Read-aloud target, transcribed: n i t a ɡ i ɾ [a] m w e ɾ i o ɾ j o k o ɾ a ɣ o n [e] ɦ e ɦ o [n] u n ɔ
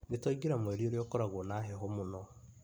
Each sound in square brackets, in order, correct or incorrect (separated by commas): correct, incorrect, incorrect